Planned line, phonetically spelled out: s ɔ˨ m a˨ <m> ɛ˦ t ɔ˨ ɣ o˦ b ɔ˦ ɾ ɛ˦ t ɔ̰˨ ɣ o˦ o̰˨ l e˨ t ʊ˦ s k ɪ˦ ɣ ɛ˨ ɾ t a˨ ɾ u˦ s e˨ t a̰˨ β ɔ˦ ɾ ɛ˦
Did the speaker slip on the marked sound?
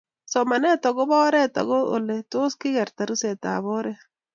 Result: yes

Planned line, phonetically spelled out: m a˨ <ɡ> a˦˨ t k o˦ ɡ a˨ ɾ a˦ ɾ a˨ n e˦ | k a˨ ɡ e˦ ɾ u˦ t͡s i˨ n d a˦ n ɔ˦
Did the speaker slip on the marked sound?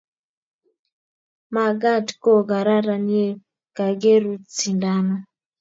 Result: no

